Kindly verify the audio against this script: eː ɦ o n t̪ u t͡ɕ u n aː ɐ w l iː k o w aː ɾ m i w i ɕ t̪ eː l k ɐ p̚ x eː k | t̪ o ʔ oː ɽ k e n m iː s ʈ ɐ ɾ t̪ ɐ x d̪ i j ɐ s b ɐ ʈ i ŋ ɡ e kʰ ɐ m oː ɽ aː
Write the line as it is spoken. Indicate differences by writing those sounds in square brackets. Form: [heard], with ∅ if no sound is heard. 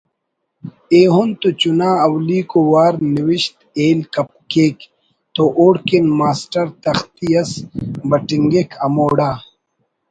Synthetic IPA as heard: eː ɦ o n t̪ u t͡ɕ u n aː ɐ w l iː k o w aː ɾ [n] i w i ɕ t̪ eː l k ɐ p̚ [k] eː k | t̪ o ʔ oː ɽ k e n m [aː] s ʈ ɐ ɾ t̪ ɐ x [t̪] i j ɐ s b ɐ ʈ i ŋ ɡ e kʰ ɐ m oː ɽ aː